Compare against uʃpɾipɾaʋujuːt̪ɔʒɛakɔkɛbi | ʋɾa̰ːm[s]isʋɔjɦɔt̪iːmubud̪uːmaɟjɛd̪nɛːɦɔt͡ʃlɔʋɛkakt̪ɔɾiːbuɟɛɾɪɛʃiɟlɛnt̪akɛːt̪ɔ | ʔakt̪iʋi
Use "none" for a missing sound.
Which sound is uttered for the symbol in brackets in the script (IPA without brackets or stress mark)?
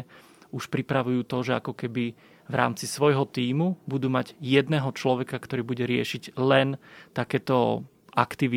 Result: t͡s